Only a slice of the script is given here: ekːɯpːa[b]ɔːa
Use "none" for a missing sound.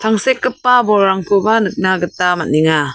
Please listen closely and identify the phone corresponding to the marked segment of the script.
b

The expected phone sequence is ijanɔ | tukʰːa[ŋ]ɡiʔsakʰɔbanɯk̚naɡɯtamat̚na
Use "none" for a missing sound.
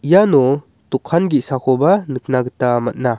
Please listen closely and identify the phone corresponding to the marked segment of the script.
n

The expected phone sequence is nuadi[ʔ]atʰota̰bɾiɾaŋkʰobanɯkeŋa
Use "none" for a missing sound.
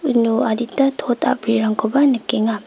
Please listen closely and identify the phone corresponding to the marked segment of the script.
t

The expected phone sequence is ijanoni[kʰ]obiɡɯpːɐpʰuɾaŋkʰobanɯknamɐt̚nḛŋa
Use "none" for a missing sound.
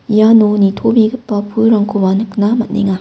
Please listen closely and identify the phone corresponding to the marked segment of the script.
tʰ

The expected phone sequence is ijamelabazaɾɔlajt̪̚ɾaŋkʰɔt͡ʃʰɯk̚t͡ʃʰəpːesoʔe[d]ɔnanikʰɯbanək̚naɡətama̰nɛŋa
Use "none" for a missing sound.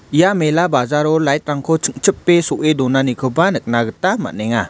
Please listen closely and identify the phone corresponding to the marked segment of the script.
d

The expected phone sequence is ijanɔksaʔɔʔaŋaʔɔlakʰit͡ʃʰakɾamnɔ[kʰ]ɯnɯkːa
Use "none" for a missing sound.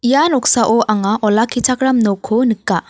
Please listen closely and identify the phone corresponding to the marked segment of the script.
kʰ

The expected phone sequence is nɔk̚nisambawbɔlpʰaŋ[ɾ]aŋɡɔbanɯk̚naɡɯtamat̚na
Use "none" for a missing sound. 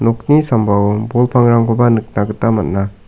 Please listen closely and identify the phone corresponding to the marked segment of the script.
ɾ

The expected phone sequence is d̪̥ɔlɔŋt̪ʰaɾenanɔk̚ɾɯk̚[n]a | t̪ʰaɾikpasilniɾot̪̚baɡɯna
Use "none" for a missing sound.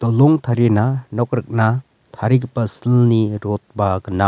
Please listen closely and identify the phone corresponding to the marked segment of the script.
n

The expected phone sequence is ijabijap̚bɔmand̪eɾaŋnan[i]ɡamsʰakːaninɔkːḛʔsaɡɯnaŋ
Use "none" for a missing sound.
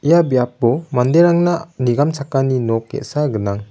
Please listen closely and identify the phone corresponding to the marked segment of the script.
i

